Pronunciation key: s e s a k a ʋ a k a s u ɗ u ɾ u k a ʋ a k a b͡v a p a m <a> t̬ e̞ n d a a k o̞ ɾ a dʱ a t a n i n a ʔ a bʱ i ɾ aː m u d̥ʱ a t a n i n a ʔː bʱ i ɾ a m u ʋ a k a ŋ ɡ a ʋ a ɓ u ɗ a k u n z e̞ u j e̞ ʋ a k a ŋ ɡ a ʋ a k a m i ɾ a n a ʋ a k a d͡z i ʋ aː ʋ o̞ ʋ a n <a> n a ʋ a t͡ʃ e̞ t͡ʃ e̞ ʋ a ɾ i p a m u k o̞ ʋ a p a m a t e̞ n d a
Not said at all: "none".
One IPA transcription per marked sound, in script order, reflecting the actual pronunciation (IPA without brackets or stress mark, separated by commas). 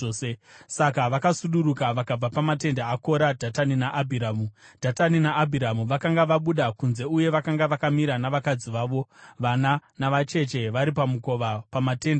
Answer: a, a